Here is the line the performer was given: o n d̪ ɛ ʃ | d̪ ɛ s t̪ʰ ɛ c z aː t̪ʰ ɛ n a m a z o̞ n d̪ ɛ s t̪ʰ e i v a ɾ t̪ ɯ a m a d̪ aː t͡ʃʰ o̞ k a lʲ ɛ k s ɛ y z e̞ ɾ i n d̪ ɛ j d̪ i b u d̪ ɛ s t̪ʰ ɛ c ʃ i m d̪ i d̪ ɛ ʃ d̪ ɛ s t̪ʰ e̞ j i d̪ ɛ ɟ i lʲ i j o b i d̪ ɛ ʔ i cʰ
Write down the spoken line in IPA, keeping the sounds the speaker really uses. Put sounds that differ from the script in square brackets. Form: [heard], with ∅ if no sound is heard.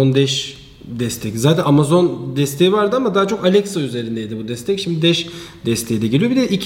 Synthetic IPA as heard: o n d̪ ɛ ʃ | d̪ ɛ s t̪ʰ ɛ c z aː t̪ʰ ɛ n a m a z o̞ n d̪ ɛ s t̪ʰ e i v a ɾ [d̪] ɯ a m a d̪ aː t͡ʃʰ o̞ k a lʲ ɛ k s [a] y z e̞ ɾ i n d̪ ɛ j d̪ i b u d̪ ɛ s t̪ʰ ɛ c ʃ i m d̪ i d̪ ɛ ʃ d̪ ɛ s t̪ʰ e̞ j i d̪ ɛ ɟ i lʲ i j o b i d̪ ɛ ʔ i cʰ